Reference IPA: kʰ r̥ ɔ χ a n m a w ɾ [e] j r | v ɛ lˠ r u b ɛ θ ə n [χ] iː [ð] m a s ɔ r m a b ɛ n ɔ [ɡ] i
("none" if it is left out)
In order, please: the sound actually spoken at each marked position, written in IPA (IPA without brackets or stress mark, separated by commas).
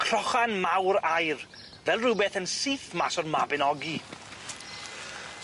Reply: a, s, θ, ɡ